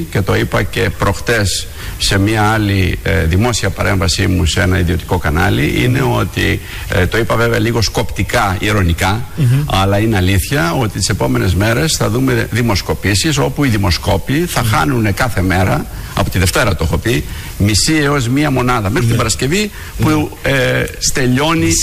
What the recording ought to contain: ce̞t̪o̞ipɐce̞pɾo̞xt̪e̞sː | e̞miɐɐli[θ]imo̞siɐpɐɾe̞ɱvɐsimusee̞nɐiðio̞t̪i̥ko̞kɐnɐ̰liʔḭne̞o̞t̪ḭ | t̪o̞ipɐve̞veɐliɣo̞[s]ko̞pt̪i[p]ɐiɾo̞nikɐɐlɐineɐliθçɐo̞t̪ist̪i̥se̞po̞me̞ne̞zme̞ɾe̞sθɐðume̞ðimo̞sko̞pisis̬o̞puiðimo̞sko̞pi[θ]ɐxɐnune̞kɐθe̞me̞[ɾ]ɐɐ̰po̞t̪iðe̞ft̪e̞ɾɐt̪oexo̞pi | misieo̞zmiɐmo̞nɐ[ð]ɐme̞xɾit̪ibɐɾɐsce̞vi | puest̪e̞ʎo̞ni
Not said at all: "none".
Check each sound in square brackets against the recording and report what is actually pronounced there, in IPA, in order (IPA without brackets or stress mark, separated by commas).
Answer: ð, s, k, θ, ɾ, ð